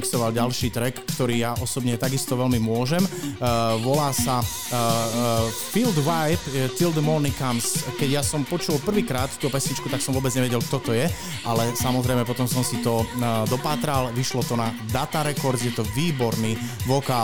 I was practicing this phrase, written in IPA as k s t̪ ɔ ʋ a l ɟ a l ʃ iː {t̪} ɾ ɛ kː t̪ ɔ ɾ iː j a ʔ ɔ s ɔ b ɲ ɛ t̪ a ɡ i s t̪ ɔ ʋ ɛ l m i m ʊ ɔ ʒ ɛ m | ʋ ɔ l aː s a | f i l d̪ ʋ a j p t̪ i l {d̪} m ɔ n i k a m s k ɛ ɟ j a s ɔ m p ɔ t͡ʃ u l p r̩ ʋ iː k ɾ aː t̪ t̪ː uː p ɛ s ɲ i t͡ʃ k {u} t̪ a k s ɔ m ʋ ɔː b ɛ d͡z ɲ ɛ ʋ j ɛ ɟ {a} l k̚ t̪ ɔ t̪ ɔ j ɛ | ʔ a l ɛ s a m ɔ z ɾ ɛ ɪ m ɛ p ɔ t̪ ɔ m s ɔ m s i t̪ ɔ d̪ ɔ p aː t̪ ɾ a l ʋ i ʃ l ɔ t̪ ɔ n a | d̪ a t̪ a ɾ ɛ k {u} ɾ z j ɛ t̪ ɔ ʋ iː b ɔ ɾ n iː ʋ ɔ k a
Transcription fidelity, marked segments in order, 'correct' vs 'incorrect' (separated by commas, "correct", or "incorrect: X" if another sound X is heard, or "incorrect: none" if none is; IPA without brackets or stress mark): correct, correct, correct, incorrect: ɛ, incorrect: ɔ